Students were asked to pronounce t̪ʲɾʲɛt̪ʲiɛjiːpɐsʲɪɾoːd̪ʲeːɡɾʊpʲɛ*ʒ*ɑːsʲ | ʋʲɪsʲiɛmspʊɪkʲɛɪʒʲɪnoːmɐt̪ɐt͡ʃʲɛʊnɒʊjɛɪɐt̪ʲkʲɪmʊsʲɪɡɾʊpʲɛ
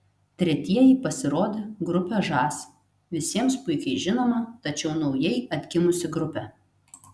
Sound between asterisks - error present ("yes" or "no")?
no